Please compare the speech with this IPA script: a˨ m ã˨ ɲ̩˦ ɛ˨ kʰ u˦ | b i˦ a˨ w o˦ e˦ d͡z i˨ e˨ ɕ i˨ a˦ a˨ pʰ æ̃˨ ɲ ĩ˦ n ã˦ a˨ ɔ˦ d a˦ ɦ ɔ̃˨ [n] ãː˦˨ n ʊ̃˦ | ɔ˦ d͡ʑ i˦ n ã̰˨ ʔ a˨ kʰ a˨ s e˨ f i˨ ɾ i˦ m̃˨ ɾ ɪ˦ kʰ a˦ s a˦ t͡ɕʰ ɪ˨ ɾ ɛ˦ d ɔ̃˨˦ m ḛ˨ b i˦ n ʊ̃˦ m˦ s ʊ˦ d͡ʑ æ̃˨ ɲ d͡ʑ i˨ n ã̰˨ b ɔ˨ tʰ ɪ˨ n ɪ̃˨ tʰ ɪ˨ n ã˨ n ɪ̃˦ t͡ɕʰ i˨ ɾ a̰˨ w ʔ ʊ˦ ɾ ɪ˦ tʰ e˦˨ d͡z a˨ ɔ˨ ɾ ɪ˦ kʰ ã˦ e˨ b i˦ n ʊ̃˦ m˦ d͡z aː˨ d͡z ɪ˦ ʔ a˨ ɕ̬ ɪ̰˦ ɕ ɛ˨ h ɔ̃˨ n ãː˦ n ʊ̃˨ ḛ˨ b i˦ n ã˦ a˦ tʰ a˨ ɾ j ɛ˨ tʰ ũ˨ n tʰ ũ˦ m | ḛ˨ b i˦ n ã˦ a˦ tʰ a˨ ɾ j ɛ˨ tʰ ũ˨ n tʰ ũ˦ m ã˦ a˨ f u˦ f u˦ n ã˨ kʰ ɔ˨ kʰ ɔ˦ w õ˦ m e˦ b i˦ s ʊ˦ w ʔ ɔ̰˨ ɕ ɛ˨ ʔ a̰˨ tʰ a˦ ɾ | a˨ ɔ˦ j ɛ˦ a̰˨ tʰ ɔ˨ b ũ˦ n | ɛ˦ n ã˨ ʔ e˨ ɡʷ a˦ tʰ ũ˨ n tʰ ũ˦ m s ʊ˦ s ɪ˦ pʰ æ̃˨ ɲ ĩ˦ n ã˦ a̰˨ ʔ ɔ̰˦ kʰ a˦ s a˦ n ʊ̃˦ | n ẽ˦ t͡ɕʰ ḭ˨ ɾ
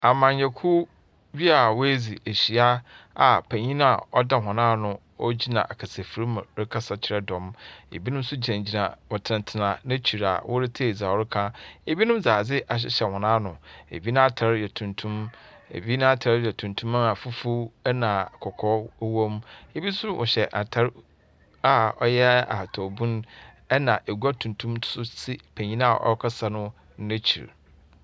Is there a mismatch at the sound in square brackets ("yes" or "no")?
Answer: no